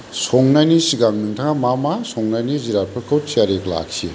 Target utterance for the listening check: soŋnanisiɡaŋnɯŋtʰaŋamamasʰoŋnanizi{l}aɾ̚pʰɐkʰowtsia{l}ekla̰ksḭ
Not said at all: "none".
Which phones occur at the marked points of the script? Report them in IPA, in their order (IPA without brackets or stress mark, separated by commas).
ɾ, ɾ